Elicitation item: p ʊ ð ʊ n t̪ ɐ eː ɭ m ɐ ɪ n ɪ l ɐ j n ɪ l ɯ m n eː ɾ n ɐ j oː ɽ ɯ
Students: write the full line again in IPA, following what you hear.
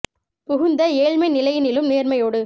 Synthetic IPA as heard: p ʊ ɣ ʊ n d̪ ɐ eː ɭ m ɐ ɪ n ɪ l ɐ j n ɪ l ɯ m n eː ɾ m ɐ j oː ɽ ɯ